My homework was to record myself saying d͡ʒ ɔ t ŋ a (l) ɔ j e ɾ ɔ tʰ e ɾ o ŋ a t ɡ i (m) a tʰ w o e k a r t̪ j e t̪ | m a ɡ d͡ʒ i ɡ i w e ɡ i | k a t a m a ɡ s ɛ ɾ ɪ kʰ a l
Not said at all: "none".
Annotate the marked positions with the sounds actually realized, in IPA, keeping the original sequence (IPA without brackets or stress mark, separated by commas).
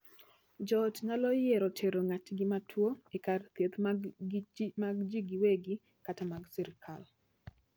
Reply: l, m